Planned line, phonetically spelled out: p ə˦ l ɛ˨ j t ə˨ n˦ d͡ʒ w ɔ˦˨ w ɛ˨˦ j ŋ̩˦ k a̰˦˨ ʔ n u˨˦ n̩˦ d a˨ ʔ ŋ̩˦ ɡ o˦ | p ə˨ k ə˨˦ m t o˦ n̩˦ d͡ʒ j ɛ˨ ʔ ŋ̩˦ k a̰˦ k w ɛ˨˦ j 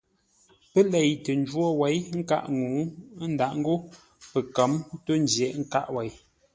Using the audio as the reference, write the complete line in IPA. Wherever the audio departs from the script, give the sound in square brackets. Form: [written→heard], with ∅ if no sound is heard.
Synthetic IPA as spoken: p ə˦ l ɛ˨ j t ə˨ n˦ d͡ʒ w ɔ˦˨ w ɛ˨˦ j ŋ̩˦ k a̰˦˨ ʔ [n→ŋ] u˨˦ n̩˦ d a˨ ʔ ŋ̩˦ ɡ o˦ | p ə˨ k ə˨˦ m t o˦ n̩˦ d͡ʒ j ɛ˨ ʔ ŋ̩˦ k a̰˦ [k→ʔ] w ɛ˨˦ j